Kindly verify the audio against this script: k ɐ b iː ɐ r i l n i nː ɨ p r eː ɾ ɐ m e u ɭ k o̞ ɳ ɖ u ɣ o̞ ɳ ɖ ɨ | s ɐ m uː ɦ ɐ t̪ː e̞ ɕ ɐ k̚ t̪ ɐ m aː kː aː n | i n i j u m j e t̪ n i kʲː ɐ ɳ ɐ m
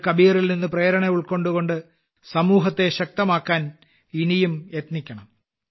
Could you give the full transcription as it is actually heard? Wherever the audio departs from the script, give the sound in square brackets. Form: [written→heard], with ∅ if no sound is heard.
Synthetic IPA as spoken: k ɐ b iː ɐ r i l n i nː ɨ p r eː ɾ ɐ [m→ɳ] e u ɭ k o̞ ɳ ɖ u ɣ o̞ ɳ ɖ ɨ | s ɐ m uː ɦ ɐ t̪ː e̞ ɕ ɐ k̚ t̪ ɐ m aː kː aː n | i n i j u m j e t̪ n i kʲː ɐ ɳ ɐ m